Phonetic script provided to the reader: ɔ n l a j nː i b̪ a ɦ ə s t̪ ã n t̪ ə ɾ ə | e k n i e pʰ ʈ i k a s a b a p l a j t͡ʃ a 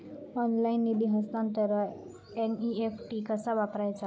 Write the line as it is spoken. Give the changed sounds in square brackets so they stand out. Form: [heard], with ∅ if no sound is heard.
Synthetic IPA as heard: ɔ n l a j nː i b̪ [i] ɦ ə s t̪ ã n t̪ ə ɾ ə | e [∅] n i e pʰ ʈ i k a s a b a p [ɾ] a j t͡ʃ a